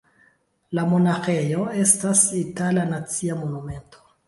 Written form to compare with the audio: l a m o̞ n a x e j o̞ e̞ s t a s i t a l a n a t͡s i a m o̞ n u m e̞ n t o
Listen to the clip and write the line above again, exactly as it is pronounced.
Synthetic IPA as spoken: l a m o̞ n a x e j o̞ e̞ s t a s i t a l a n a t͡s i a m o̞ n u m e̞ n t o